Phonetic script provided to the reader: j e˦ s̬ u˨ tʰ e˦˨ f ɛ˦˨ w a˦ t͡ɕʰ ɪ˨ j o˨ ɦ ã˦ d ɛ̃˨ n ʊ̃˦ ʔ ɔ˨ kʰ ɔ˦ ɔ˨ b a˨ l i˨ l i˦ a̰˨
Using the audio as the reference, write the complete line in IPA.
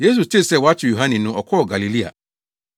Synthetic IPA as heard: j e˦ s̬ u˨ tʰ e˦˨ s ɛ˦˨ w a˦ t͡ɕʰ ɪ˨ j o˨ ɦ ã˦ n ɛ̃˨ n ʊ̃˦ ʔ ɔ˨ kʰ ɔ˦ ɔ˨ ɡ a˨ l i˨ l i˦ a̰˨